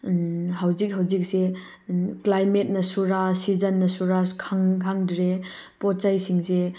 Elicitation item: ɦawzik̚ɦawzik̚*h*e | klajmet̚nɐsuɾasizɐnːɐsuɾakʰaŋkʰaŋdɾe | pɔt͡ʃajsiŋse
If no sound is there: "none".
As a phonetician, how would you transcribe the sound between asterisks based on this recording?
s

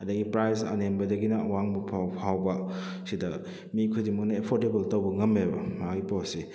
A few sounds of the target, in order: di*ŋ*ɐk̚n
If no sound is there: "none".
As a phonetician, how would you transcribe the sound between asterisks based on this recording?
m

